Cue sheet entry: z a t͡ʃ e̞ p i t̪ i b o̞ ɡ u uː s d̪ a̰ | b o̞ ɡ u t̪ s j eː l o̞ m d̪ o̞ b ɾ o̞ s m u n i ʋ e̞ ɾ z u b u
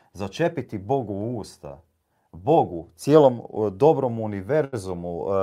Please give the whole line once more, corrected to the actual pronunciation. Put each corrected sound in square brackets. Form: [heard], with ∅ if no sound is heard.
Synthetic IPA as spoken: z a t͡ʃ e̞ p i t̪ i b o̞ ɡ u uː s [t̪] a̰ | b o̞ ɡ u t̪ s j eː l o̞ m d̪ o̞ b ɾ o̞ [∅] m u n i ʋ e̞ ɾ z u [m] u